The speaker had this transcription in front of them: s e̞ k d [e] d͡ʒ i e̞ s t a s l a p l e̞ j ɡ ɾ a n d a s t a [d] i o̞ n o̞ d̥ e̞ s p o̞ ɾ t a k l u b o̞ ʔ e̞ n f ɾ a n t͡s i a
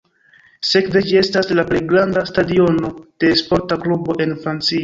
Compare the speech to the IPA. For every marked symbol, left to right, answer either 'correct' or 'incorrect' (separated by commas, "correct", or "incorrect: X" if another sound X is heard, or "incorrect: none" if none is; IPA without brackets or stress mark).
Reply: correct, correct